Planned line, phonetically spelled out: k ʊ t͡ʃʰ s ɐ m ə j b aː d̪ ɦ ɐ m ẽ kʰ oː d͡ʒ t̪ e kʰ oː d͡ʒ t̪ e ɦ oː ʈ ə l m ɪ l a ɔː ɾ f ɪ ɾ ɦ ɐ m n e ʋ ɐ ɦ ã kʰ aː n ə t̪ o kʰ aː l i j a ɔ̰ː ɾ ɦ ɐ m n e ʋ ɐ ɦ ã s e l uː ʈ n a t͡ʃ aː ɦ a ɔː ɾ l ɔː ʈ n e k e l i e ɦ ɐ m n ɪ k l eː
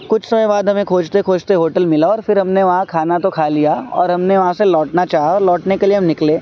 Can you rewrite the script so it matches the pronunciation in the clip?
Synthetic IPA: k ʊ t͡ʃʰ s ɐ m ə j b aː d̪ ɦ ɐ m ẽ kʰ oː d͡ʒ t̪ e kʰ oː d͡ʒ t̪ e ɦ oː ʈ ə l m ɪ l a ɔː ɾ f ɪ ɾ ɦ ɐ m n e ʋ ɐ ɦ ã kʰ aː n a t̪ o kʰ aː l i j a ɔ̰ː ɾ ɦ ɐ m n e ʋ ɐ ɦ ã s e l ɔː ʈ n a t͡ʃ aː ɦ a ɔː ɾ l ɔː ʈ n e k e l i e ɦ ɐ m n ɪ k l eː